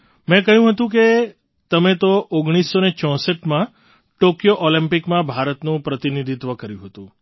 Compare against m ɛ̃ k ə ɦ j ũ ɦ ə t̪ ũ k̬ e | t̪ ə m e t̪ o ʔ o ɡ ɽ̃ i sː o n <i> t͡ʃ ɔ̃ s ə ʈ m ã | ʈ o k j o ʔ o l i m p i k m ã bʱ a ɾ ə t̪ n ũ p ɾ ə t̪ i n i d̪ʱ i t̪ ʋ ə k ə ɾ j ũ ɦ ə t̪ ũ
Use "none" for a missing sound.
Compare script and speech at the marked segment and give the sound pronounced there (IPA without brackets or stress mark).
e